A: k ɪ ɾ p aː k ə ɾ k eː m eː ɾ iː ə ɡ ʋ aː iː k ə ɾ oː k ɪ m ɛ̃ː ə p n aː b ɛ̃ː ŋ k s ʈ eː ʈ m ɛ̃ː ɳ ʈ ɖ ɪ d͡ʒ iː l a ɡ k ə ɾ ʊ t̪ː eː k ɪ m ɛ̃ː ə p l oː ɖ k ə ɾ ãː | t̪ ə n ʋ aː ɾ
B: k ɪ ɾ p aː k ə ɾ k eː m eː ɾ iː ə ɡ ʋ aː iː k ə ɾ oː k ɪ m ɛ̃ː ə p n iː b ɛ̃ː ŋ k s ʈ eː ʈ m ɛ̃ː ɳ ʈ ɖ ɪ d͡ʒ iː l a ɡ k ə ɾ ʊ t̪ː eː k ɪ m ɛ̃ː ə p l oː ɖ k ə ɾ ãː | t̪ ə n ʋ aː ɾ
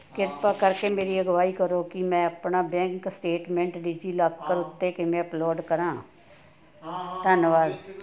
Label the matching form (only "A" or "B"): A